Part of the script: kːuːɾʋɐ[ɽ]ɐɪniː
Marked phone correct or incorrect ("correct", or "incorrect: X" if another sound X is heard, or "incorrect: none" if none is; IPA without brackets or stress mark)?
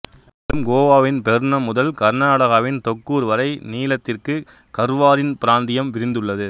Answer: incorrect: ɾ